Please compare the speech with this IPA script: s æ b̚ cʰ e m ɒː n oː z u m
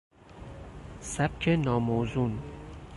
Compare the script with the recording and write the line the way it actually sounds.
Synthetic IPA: s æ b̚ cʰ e n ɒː m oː z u n